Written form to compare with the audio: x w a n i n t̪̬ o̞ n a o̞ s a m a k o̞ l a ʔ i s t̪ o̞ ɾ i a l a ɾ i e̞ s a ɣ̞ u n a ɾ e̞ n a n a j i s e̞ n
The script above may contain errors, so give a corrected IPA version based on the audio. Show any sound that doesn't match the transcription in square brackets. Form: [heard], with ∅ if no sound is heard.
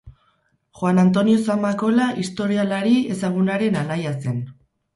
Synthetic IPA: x w a n [a] n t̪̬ o̞ n [i] o̞ s a m a k o̞ l a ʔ i s t̪ o̞ ɾ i a l a ɾ i e̞ s a ɣ̞ u n a ɾ e̞ n a n a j [a] s e̞ n